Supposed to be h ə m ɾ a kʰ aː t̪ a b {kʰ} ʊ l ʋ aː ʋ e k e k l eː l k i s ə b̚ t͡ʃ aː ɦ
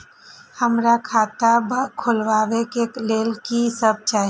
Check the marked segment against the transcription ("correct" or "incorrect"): correct